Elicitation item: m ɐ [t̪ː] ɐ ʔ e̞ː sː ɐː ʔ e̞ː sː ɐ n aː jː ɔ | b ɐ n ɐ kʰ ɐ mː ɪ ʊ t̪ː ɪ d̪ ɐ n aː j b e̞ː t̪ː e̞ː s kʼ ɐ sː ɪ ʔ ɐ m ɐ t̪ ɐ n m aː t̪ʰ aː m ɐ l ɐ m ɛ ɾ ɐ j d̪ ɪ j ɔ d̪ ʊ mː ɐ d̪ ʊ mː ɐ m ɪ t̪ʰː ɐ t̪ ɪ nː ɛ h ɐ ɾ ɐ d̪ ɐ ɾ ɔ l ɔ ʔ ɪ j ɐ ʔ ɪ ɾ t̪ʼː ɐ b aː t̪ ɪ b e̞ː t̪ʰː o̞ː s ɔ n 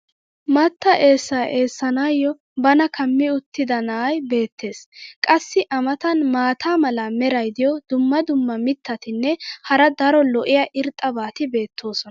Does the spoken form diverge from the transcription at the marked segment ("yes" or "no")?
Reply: no